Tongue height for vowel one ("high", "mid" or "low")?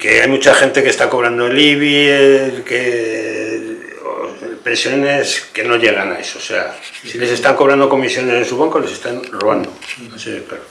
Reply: mid